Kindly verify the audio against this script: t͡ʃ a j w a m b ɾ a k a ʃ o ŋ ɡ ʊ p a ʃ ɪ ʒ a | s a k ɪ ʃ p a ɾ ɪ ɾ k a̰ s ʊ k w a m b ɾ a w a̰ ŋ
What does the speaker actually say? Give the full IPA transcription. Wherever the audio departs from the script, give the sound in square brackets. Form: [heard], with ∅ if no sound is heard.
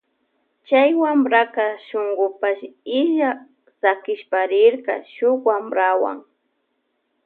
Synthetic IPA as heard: t͡ʃ a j w a m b ɾ a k a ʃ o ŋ ɡ ʊ p a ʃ ɪ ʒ a | s a k ɪ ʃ p a ɾ ɪ ɾ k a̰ [ʃ] ʊ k w a m b ɾ a w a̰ ŋ